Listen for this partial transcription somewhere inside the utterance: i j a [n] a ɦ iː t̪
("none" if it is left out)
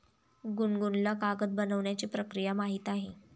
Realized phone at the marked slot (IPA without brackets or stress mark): m